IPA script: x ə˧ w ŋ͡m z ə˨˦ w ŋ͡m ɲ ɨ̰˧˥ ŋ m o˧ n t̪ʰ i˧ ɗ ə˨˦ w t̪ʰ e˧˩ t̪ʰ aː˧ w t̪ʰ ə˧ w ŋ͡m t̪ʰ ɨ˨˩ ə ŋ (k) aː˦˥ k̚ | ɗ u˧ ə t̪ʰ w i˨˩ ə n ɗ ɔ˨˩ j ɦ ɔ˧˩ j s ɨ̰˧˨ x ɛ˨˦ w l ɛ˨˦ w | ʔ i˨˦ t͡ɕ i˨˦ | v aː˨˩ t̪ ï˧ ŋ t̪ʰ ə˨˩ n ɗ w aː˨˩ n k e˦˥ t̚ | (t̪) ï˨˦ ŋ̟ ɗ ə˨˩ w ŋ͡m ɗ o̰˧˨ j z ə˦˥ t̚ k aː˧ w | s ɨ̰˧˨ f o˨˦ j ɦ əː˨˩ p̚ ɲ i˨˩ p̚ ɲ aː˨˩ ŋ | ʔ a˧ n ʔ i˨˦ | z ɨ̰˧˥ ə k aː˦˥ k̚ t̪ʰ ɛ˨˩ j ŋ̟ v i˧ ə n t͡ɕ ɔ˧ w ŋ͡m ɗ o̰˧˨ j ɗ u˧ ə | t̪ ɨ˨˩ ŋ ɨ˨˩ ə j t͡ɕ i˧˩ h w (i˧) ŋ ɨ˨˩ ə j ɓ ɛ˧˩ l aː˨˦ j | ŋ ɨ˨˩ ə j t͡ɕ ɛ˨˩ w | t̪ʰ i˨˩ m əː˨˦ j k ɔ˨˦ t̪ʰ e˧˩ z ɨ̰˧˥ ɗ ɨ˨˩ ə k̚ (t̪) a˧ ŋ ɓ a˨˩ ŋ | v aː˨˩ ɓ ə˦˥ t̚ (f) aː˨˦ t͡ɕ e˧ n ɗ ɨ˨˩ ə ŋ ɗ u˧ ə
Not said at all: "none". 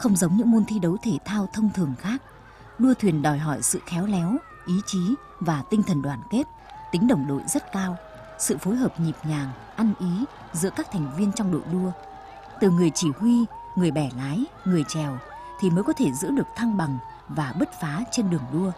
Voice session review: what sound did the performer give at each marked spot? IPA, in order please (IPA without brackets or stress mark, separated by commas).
x, t̪, i˧, t̪ʰ, f